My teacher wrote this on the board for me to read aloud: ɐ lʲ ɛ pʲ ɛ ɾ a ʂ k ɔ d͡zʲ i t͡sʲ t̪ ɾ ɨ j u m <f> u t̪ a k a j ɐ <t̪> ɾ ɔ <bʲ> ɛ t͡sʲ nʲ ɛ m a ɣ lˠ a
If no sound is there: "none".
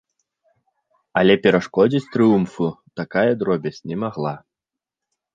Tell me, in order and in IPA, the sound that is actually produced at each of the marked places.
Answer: f, d̪, bʲ

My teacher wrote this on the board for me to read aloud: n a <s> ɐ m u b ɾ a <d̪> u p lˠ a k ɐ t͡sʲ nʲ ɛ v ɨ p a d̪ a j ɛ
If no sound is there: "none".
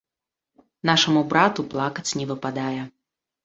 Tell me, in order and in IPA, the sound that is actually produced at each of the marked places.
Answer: ʂ, t̪

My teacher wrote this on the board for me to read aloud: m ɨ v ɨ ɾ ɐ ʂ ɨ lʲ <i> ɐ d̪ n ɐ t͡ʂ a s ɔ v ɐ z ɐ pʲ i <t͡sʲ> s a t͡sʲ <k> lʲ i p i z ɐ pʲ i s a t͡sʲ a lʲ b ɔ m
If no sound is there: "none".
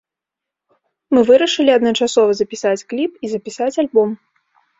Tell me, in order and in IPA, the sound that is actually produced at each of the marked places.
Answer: i, none, k

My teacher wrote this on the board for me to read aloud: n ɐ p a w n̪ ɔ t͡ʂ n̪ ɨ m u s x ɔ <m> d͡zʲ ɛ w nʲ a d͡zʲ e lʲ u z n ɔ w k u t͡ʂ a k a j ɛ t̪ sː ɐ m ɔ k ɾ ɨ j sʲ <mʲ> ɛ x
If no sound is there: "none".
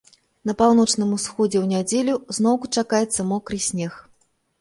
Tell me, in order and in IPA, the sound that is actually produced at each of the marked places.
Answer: none, nʲ

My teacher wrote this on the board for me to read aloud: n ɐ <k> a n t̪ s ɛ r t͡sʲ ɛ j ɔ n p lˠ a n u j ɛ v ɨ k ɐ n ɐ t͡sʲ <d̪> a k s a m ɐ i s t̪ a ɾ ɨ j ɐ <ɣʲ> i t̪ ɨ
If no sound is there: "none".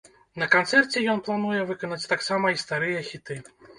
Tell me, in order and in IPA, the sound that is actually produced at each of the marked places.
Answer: k, t̪, xʲ

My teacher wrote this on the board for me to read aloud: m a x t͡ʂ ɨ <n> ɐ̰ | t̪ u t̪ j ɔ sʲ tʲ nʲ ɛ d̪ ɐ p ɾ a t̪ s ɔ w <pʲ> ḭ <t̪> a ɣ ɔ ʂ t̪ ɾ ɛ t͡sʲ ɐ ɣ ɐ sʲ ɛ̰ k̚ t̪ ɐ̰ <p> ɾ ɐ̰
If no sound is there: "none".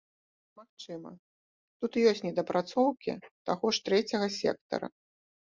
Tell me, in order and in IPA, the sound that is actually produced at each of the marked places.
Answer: m, kʲ, t̪, none

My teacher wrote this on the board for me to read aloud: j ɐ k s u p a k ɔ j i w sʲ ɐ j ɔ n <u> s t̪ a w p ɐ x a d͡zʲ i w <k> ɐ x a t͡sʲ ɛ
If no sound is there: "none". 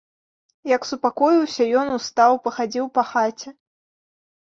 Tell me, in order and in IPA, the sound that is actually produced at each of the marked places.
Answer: u, p

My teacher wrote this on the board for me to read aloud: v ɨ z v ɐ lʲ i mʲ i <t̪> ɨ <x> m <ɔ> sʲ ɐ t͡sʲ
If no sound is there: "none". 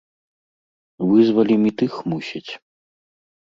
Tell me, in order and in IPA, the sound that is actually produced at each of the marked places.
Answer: t̪, x, u

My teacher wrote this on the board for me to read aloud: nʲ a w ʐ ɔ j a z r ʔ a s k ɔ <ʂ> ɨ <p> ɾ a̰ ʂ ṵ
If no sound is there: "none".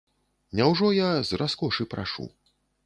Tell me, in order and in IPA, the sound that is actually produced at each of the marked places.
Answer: ʂ, p

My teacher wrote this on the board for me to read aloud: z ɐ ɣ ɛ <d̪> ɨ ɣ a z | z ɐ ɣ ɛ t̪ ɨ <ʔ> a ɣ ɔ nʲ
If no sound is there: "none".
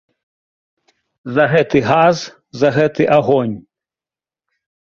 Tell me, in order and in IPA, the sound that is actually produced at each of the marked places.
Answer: t̪, ʔ

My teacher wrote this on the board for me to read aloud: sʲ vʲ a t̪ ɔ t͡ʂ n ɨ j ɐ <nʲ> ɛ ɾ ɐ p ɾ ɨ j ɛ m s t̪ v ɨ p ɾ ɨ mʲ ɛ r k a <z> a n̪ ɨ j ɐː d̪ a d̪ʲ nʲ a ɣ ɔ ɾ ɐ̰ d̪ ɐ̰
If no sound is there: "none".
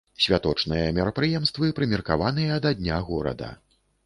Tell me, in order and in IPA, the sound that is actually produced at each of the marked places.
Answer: mʲ, v

